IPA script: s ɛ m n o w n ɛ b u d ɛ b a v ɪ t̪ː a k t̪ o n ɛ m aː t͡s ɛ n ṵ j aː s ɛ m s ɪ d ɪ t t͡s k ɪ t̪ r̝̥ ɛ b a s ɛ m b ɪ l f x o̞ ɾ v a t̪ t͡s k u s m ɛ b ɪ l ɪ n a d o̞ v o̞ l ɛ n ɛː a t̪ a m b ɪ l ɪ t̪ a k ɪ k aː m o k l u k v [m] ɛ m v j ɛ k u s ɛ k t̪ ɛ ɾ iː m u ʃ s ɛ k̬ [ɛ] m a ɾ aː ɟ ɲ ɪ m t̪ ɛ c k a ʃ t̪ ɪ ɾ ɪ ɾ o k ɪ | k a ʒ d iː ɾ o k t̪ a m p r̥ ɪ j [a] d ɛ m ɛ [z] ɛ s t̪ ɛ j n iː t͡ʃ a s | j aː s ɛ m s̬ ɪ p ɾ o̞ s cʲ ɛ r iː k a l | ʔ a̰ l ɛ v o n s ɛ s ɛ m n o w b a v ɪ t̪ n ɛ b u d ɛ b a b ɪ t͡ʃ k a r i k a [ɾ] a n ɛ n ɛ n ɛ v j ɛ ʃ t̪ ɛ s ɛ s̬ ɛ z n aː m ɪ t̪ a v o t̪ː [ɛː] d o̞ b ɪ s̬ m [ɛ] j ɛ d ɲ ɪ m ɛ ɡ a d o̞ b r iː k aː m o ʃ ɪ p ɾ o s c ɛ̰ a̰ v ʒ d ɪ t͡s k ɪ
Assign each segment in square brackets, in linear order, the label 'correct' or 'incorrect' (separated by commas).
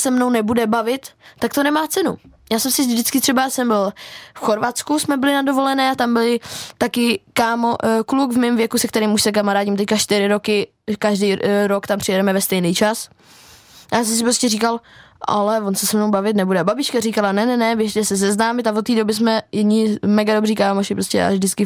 correct, incorrect, incorrect, incorrect, incorrect, incorrect, correct